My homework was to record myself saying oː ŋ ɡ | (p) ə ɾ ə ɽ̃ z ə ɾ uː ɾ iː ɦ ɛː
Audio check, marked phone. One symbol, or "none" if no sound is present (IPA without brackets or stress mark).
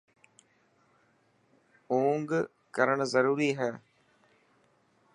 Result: k